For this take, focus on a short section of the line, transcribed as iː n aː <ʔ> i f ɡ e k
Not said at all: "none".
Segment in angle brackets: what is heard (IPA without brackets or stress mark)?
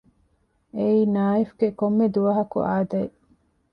none